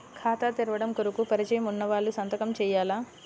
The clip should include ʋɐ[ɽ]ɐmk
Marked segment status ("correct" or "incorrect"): correct